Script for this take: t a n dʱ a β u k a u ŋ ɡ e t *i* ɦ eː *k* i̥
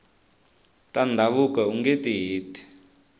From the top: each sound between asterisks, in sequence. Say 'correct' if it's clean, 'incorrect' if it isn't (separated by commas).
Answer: correct, incorrect